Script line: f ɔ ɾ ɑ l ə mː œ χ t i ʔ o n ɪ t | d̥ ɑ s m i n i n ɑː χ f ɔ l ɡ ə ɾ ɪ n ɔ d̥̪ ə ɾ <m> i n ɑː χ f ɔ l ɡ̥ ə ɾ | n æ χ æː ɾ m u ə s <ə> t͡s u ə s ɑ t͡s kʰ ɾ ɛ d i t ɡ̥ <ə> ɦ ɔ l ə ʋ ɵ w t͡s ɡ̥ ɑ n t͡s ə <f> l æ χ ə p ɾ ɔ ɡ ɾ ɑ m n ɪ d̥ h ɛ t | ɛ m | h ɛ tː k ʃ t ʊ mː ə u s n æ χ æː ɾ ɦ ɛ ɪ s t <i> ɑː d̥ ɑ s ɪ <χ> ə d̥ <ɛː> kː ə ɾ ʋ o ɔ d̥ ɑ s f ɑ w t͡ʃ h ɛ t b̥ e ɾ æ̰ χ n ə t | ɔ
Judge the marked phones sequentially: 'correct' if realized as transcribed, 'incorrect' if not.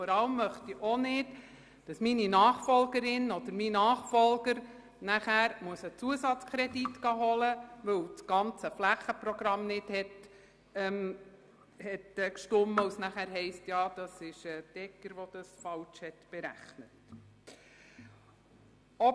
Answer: correct, correct, incorrect: ɑ, correct, incorrect: j, incorrect: ʃ, incorrect: ɛ

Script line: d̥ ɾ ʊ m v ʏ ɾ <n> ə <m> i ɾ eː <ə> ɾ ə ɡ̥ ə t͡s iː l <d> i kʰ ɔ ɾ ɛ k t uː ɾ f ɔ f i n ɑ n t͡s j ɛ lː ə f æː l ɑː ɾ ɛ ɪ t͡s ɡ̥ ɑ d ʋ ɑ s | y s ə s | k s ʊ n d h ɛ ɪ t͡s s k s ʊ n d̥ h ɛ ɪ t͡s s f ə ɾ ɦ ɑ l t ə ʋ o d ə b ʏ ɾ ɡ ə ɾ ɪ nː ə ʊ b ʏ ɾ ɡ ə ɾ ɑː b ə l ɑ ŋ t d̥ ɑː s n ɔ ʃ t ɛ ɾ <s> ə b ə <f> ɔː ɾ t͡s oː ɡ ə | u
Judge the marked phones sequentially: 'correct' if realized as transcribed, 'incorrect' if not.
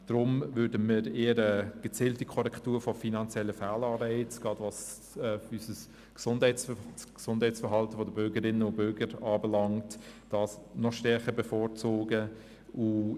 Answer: incorrect: d, correct, correct, incorrect: t, incorrect: χ, correct

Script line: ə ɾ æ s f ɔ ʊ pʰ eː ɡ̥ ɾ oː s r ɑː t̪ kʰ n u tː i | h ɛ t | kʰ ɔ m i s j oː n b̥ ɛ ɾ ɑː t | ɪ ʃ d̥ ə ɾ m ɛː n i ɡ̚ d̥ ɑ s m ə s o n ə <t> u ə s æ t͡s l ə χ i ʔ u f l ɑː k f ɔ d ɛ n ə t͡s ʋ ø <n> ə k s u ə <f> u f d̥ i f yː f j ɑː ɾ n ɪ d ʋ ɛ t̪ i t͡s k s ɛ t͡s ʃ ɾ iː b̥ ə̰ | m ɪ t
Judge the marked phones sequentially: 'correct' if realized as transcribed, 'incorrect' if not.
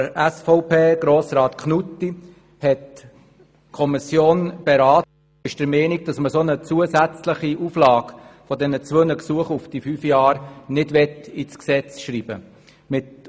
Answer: incorrect: t͡s, correct, incorrect: χ

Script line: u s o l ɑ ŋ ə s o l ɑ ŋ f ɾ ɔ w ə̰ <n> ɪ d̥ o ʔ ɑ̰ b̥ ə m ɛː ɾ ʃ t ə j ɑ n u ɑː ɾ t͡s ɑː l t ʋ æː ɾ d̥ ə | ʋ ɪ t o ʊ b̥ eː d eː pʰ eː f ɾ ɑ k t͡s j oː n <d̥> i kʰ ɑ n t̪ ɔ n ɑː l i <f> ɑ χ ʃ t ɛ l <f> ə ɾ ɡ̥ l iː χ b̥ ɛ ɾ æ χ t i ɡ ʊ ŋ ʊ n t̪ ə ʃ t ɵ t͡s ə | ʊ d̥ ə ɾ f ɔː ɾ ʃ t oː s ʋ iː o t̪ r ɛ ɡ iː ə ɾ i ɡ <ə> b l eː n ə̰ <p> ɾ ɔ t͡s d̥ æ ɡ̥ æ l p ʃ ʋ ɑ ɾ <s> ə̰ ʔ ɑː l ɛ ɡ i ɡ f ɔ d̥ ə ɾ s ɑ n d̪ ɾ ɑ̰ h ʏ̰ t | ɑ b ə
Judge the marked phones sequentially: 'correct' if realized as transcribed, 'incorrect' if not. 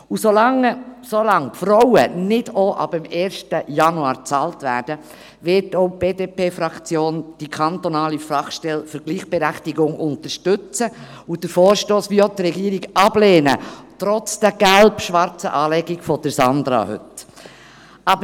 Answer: correct, correct, correct, correct, incorrect: ɑ, incorrect: t, incorrect: t͡s

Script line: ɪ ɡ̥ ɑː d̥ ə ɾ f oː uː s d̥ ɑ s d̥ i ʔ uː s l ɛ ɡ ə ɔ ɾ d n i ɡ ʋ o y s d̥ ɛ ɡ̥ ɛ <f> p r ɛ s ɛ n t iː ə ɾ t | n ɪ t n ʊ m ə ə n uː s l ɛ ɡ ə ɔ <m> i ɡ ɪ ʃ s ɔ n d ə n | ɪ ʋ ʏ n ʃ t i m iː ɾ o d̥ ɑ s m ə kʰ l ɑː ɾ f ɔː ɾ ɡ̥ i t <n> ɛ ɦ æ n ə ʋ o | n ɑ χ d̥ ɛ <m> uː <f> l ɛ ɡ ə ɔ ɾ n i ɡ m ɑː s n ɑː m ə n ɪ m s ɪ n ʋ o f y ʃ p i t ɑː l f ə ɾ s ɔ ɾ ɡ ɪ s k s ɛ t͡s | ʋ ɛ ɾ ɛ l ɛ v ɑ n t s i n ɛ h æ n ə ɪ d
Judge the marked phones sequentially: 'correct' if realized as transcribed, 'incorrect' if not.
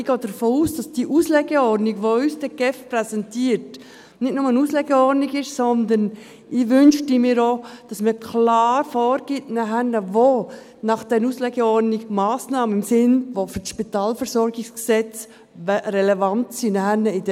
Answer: correct, incorrect: n, correct, incorrect: n, incorrect: s

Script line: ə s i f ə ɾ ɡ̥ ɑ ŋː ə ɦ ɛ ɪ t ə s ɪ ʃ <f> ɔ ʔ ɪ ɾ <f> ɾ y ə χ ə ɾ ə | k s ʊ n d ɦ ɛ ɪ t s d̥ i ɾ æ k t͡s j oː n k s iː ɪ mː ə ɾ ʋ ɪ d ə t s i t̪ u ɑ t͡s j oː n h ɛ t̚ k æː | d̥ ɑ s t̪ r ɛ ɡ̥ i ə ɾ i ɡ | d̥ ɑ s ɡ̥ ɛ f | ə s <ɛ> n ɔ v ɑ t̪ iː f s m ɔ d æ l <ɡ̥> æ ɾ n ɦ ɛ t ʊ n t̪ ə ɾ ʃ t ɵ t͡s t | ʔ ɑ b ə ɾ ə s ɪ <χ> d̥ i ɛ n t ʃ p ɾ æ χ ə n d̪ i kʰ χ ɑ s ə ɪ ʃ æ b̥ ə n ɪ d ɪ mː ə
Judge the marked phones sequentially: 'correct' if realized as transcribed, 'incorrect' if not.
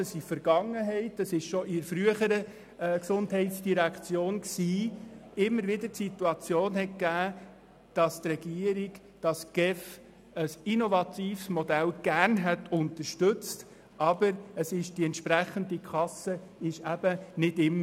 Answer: incorrect: ʃ, correct, incorrect: i, correct, incorrect: ʃ

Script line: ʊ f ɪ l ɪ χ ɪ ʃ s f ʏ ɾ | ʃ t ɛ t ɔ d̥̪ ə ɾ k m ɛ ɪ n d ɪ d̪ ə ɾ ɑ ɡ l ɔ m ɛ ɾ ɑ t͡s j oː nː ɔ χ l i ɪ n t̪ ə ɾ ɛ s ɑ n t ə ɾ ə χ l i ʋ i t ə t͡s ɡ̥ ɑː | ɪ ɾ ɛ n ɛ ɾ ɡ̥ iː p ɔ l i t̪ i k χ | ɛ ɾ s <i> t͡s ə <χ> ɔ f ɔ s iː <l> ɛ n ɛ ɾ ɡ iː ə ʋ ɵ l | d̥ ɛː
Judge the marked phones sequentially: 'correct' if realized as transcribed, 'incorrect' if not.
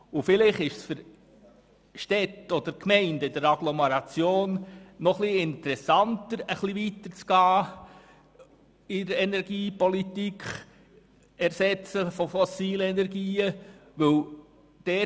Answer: incorrect: ɛ, incorrect: f, correct

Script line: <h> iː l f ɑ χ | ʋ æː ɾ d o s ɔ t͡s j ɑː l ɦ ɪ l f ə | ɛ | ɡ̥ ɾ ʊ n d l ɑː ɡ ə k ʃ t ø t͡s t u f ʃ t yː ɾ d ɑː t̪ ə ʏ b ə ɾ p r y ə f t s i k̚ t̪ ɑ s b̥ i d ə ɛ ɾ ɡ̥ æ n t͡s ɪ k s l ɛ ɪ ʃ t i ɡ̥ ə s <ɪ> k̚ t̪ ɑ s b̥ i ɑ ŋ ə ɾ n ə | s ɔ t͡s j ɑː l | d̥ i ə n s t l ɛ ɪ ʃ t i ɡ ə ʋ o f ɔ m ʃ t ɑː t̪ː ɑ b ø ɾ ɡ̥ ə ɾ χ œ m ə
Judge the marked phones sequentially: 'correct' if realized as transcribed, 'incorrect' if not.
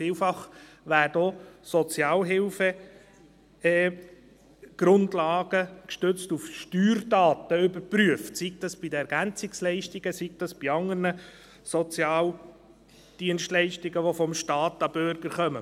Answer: incorrect: f, incorrect: i

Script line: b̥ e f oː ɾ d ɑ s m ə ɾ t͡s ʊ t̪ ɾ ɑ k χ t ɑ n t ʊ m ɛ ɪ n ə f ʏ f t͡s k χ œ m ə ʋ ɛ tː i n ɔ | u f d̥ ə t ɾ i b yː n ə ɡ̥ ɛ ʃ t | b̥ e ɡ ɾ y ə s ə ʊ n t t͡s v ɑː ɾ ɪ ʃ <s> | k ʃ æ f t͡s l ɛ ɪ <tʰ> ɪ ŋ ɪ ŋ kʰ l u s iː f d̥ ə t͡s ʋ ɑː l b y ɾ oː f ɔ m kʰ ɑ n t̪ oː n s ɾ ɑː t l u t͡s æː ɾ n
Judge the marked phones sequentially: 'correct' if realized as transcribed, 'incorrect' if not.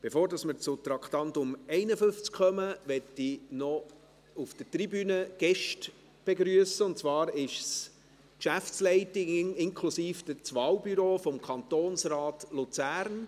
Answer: correct, incorrect: t

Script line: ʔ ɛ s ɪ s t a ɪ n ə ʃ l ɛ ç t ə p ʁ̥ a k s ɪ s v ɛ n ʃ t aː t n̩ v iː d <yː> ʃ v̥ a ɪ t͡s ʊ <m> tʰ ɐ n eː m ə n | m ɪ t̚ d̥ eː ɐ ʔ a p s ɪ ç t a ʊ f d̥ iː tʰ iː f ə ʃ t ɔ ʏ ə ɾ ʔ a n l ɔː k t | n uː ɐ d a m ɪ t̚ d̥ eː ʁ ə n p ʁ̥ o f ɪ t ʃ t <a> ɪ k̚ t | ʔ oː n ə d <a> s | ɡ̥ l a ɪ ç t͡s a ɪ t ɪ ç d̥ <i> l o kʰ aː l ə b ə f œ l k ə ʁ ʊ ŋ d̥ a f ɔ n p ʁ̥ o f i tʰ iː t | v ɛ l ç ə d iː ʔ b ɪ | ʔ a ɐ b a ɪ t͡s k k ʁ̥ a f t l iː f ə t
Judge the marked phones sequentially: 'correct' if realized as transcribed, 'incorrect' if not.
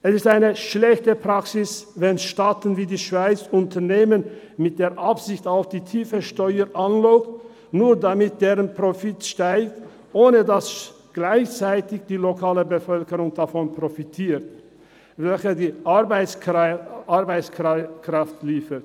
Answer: incorrect: iː, incorrect: n, correct, correct, incorrect: iː

